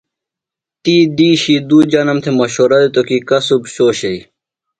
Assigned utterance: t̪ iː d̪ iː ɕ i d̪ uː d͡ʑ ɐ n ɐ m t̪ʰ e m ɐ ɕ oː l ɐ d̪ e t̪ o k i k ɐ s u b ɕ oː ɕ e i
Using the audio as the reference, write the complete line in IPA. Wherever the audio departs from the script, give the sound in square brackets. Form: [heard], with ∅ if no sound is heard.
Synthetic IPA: t̪ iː d̪ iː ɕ i d̪ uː d͡ʑ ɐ n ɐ m t̪ʰ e m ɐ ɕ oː [ɾ] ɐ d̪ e t̪ o k i k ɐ s u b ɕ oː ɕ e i